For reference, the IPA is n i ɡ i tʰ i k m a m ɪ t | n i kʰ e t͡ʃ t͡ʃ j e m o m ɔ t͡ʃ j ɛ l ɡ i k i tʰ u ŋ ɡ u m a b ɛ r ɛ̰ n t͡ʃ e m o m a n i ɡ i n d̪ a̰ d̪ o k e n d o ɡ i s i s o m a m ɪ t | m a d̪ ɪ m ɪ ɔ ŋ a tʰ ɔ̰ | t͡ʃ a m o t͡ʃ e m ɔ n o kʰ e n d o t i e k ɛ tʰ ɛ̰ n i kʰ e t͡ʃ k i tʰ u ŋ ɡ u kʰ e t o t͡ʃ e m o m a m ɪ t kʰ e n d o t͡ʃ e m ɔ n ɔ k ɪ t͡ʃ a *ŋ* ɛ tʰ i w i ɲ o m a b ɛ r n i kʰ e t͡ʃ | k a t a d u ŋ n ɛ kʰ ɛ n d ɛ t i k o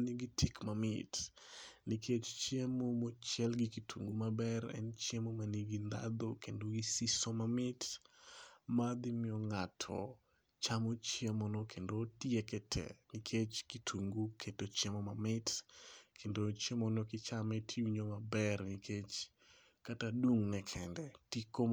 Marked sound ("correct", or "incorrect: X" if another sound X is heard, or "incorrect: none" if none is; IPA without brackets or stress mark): incorrect: m